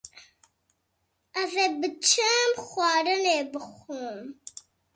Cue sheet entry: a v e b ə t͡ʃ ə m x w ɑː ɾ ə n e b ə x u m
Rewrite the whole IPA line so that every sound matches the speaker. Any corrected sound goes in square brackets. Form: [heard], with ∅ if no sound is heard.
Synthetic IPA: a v e b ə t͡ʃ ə m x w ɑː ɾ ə n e b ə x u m

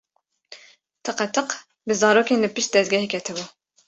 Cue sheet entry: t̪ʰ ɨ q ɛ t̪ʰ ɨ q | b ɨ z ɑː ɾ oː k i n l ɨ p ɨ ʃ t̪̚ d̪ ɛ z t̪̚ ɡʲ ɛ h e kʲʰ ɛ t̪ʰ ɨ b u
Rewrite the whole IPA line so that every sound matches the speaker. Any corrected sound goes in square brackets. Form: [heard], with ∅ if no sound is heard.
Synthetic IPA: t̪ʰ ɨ q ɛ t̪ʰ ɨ q | b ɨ z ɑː ɾ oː k [e] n l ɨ p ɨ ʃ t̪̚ d̪ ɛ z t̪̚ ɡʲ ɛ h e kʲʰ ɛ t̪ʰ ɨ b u

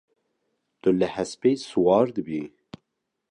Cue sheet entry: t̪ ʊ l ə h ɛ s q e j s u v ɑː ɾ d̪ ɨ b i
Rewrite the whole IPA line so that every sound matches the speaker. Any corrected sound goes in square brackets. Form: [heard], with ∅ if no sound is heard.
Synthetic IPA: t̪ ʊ l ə h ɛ s [p] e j s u [w] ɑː ɾ d̪ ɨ b i

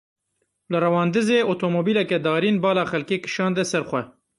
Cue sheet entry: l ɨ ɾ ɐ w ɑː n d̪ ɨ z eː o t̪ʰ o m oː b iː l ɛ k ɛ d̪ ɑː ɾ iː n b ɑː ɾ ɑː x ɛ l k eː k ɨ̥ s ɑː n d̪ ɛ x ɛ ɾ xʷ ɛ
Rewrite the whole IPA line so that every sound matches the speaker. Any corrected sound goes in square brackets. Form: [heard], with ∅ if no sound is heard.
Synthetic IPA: l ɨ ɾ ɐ w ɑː n d̪ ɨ z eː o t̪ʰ o m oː b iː l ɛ k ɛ d̪ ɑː ɾ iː n b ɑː [l] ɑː x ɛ l k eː k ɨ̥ [ʃ] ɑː n d̪ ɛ [s] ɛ ɾ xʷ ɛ

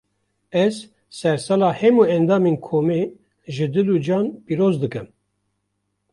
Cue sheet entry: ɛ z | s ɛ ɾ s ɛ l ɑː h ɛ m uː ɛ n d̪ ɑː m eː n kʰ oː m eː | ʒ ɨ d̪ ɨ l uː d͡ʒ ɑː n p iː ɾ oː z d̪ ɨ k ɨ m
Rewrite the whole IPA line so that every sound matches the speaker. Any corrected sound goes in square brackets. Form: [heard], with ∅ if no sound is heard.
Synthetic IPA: ɛ z | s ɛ ɾ s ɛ l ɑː h ɛ m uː ɛ n d̪ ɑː m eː n kʰ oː m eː | ʒ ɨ d̪ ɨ l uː d͡ʒ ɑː n p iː ɾ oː z d̪ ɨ k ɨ m

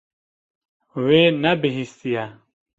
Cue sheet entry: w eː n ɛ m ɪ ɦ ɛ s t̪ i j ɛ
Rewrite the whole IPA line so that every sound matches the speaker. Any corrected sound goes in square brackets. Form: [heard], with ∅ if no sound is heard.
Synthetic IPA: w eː n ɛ [b] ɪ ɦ [i] s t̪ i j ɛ

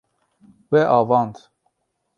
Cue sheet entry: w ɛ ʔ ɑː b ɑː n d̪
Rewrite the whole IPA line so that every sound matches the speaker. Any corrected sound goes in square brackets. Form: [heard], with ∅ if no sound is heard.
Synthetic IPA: w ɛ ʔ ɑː [v] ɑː n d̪

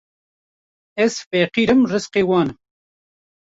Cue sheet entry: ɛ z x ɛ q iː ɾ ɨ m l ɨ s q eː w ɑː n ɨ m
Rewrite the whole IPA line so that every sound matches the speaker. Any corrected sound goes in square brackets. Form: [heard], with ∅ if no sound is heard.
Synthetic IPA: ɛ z [f] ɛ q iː ɾ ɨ m [r] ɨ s q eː w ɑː n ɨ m

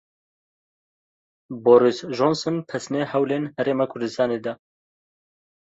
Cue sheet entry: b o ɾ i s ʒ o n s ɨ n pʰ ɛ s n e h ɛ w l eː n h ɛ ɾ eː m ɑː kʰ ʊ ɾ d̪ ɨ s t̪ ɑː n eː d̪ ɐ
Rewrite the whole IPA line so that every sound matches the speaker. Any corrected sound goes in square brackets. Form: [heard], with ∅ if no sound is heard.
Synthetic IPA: b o ɾ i s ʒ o n s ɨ n pʰ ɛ s n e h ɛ w l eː n h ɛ ɾ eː m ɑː kʰ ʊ ɾ d̪ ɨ s t̪ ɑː n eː d̪ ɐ

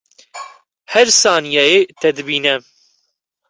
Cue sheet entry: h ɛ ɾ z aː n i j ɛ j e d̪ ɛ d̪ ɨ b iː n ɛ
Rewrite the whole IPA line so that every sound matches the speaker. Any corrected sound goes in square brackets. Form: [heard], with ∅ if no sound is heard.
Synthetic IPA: h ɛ ɾ [s] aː n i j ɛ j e [t̪] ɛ d̪ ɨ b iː n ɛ

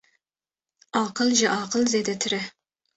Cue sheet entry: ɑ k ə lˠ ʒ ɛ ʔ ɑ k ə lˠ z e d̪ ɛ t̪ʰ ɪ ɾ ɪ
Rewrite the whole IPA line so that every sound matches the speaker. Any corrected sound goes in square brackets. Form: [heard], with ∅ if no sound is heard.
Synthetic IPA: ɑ [q] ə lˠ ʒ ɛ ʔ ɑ [q] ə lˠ z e d̪ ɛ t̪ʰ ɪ ɾ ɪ

